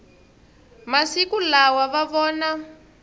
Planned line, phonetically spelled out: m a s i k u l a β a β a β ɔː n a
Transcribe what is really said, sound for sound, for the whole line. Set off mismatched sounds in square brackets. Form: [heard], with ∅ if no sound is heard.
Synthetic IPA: m a s i k u l a [w] a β a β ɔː n a